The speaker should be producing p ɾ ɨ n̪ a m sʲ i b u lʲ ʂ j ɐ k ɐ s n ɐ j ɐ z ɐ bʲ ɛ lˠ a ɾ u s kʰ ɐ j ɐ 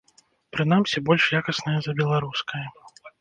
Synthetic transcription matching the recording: p ɾ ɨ n̪ a m sʲ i b ɔ lʲ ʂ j a k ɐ s n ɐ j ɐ z ɐ bʲ ɛ lˠ a ɾ u s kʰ ɐ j ɐ